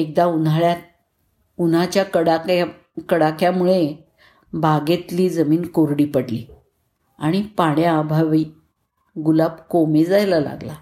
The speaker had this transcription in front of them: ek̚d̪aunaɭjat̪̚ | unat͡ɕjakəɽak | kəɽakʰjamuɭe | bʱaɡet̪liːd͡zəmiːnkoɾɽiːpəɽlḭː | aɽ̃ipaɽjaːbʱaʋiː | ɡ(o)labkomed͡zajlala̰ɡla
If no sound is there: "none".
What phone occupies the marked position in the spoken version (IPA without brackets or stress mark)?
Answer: u